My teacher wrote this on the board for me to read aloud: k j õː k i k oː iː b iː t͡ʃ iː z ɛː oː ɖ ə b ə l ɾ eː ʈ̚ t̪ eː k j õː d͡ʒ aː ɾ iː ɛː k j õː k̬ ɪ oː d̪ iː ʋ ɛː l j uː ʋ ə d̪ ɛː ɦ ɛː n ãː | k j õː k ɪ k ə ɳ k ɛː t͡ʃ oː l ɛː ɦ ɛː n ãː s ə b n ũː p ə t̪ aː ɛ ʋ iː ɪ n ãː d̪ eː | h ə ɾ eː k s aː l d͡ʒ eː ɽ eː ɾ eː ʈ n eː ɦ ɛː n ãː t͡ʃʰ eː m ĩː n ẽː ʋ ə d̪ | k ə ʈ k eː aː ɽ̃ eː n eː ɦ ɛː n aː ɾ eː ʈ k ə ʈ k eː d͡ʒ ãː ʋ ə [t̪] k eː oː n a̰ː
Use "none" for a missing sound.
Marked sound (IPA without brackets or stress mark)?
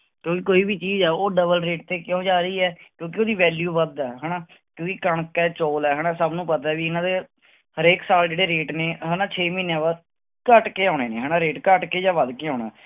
d̪